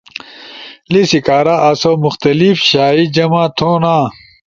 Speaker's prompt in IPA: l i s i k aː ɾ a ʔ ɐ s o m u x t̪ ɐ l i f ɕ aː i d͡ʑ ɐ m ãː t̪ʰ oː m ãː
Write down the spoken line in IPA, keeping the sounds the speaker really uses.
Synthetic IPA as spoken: l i s i k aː ɾ a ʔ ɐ s o m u x t̪ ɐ l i f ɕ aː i d͡ʑ ɐ m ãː t̪ʰ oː n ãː